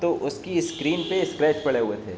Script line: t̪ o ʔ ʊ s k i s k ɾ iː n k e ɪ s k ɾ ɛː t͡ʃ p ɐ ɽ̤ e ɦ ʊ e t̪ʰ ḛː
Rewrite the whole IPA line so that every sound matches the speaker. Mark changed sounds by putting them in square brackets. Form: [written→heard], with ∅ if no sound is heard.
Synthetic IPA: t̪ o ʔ ʊ s k i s k ɾ iː n [k→p] e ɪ s k ɾ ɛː t͡ʃ p ɐ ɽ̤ e ɦ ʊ e t̪ʰ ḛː